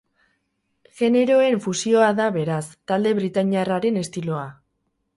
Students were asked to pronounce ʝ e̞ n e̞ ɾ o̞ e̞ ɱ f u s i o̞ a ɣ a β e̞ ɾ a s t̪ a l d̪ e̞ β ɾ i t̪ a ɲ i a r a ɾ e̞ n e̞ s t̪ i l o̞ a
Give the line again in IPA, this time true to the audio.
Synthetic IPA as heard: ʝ e̞ n e̞ ɾ o̞ e̞ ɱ f u s i o̞ a ð a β e̞ ɾ a s t̪ a l d̪ e̞ β ɾ i t̪ a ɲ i a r a ɾ e̞ n e̞ s t̪ i l o̞ a